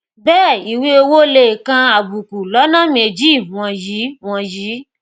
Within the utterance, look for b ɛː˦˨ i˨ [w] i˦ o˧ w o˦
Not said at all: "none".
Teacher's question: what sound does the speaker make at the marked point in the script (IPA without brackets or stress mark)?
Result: w